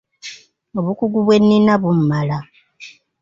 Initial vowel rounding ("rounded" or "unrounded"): rounded